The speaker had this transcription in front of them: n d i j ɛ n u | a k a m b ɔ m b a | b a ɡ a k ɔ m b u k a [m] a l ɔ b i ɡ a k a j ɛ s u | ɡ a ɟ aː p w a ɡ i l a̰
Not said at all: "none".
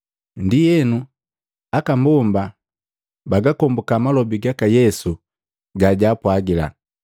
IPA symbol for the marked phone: m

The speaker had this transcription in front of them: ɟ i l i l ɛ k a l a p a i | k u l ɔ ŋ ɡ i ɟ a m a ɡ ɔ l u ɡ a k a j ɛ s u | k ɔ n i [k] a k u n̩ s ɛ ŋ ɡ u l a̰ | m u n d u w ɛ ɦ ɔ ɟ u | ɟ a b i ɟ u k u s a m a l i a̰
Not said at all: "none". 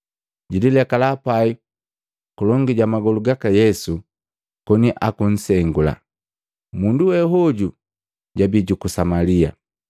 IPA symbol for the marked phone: ʔ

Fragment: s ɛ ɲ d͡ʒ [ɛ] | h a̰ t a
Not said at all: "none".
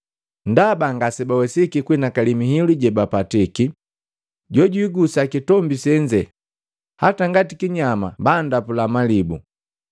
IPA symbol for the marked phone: ɛ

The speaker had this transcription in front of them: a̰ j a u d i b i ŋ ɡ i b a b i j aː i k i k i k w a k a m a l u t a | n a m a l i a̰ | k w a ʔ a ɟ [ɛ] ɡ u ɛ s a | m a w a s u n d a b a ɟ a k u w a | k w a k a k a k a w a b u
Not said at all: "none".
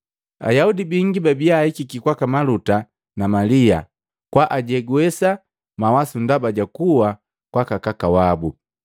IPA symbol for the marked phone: ɛ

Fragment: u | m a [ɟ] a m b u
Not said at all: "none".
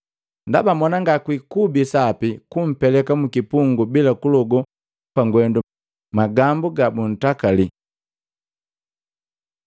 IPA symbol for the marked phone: ɡ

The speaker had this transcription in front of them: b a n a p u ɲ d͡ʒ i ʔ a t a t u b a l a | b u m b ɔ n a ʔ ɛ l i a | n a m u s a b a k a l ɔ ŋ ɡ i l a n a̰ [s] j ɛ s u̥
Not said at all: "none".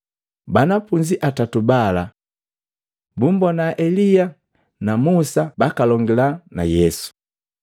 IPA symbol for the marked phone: none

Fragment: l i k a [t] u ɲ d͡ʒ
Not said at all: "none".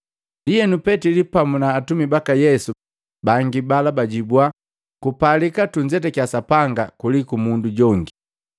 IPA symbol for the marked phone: t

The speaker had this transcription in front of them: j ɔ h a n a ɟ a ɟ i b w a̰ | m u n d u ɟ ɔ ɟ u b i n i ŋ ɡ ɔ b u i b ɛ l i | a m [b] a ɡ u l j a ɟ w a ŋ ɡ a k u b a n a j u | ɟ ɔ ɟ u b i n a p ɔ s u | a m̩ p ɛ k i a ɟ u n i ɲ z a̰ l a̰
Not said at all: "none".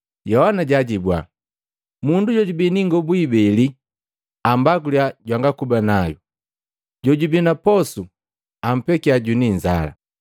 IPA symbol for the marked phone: b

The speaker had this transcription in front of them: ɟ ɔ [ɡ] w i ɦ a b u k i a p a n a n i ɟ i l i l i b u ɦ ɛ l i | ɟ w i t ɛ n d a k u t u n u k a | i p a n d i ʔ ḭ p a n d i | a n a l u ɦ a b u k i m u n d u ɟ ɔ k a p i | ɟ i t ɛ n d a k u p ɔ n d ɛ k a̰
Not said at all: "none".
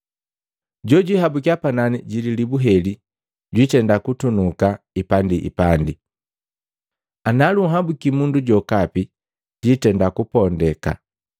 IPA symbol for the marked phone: ɟ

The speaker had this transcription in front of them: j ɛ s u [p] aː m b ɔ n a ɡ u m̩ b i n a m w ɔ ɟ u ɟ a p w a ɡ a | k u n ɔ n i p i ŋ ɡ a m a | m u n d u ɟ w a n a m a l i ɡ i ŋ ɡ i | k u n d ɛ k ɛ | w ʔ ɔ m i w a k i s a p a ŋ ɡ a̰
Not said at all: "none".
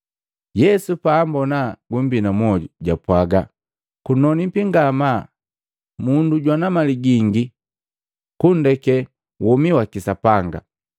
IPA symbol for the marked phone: p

